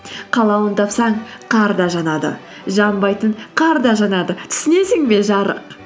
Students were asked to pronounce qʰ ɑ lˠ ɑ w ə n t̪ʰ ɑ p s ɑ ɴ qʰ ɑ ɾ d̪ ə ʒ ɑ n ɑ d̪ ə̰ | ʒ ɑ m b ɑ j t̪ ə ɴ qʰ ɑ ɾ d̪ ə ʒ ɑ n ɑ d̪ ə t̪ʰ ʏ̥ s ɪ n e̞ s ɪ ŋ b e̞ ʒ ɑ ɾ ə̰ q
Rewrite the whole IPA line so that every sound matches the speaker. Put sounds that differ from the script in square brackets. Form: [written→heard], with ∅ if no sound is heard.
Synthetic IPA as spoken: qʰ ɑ lˠ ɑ w ə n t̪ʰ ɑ p s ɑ ɴ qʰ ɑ ɾ d̪ [ə→ɑ] ʒ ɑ n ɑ d̪ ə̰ | ʒ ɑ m b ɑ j t̪ ə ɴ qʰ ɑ ɾ d̪ [ə→ɑ] ʒ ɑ n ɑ d̪ ə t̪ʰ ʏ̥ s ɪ n e̞ s ɪ ŋ b e̞ ʒ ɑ ɾ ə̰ q